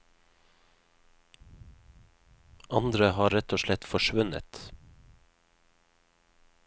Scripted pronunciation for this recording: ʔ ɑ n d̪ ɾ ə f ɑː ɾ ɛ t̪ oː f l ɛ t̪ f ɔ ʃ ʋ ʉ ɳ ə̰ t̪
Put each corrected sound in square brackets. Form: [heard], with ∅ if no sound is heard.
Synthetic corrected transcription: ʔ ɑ n d̪ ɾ ə [h] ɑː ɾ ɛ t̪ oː [ʃ] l ɛ t̪ f ɔ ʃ ʋ ʉ [n] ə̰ t̪